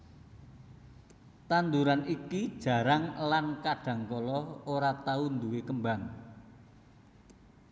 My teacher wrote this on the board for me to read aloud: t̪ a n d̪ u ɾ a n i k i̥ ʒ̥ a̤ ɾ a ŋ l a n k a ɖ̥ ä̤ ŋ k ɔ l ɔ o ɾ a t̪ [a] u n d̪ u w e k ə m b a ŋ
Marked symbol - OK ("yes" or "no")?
yes